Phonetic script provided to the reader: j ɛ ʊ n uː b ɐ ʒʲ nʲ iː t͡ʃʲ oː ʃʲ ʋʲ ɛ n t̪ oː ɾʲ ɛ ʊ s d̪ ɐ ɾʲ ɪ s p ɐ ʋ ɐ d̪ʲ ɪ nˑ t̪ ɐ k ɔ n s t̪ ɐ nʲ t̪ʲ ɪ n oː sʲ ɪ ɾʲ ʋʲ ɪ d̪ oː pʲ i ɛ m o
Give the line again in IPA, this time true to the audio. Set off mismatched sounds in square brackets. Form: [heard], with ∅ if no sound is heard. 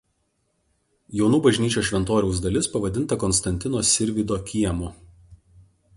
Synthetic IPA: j ɛ ʊ n uː b ɐ ʒʲ nʲ iː t͡ʃʲ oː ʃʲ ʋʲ ɛ n t̪ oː ɾʲ ɛ ʊ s d̪ ɐ [lʲ] ɪ s p ɐ ʋ ɐ d̪ʲ ɪ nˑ t̪ ɐ k ɔ n s t̪ ɐ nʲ t̪ʲ ɪ n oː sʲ ɪ ɾʲ ʋʲ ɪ d̪ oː [kʲ] i ɛ m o